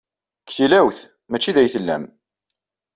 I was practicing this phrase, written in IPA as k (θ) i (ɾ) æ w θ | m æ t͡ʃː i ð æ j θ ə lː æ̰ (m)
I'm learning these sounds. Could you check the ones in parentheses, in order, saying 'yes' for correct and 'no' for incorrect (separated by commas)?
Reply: yes, no, yes